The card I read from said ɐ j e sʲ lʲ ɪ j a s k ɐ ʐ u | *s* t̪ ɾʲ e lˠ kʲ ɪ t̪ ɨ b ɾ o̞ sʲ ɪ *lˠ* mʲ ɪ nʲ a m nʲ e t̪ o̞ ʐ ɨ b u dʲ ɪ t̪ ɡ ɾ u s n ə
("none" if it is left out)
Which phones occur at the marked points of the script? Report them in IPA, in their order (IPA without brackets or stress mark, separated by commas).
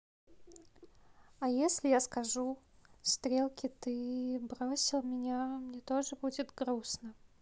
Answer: s, lˠ